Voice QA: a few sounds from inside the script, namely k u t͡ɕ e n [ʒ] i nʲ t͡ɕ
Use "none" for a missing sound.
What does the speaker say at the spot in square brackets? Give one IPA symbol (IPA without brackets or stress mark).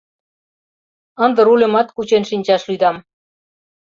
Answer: ʃ